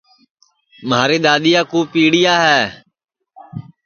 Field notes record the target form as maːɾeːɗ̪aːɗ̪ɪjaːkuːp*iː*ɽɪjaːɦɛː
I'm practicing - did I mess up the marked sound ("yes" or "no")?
no